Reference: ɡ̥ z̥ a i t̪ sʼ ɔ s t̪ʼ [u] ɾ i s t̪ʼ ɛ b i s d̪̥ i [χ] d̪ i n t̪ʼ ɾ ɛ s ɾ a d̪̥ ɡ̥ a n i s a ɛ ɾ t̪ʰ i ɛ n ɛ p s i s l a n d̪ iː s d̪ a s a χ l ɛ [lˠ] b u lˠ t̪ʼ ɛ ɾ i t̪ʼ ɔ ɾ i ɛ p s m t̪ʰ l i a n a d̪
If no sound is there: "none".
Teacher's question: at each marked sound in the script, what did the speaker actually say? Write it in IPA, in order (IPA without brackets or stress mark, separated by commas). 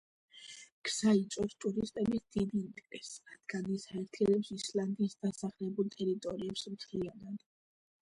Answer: u, none, none